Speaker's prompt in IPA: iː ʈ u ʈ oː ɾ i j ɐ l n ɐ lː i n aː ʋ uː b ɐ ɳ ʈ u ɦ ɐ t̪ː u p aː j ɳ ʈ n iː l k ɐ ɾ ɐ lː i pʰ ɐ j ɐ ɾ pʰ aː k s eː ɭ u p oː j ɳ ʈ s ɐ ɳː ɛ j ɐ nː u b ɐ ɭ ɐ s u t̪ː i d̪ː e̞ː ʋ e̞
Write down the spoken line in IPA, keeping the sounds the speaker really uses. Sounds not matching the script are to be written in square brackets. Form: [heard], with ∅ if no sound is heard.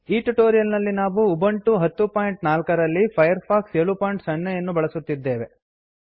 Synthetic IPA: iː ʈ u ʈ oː ɾ i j ɐ l n ɐ lː i n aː ʋ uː b ɐ ɳ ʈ u ɦ ɐ t̪ː u p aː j ɳ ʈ n [aː] l k ɐ ɾ ɐ lː i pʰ ɐ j ɐ ɾ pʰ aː k s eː ɭ u p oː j ɳ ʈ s ɐ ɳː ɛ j ɐ nː u b ɐ ɭ ɐ s u t̪ː i d̪ː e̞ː ʋ e̞